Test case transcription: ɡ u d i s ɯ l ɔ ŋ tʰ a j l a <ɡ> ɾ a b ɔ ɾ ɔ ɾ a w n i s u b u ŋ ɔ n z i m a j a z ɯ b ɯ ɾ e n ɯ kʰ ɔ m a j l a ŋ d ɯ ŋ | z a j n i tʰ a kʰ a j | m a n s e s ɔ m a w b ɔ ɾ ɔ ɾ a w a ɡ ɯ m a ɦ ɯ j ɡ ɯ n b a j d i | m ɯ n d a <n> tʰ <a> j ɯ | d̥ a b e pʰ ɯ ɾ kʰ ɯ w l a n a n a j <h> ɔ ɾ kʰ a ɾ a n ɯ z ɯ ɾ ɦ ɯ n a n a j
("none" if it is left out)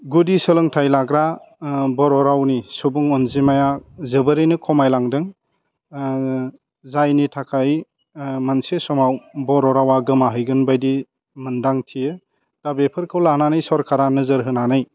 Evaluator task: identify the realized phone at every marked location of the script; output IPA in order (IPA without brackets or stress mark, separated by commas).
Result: ɡ, ŋ, i, s